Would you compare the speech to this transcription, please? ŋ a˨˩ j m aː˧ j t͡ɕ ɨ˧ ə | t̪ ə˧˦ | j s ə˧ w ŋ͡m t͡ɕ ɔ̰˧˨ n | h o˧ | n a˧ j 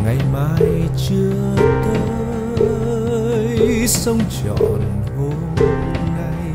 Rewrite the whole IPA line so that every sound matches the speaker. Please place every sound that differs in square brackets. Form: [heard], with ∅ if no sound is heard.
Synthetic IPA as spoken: ŋ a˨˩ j m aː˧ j t͡ɕ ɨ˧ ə | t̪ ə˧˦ | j s ə˧ w ŋ͡m t͡ɕ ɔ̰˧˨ n | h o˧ | n a˧ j